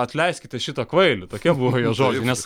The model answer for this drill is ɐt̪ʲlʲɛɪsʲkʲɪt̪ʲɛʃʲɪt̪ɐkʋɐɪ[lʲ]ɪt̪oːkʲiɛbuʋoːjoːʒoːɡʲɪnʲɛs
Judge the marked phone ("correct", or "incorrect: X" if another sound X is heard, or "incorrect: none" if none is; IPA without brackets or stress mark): correct